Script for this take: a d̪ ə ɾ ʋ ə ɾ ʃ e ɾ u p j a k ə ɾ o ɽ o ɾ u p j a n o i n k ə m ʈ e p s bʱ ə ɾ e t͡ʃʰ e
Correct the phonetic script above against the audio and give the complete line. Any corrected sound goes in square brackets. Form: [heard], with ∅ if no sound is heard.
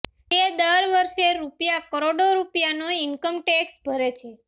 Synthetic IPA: [e] d̪ ə ɾ ʋ ə ɾ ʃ e ɾ u p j a k ə ɾ o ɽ o ɾ u p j a n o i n k ə m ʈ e [k] s bʱ ə ɾ e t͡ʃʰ e